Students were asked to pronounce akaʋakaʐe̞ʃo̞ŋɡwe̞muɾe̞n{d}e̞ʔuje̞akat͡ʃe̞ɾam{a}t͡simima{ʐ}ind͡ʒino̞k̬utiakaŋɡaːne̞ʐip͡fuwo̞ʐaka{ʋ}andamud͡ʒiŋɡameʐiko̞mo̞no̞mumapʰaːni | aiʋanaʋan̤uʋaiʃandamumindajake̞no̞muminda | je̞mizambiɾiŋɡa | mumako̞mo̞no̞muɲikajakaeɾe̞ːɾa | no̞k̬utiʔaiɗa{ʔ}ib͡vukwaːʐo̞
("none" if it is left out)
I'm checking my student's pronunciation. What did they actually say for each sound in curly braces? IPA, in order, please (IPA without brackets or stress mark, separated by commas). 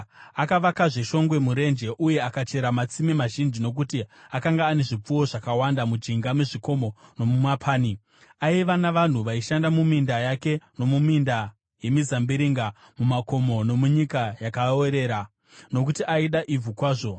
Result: d͡ʒ, a, ʒ, w, ʔ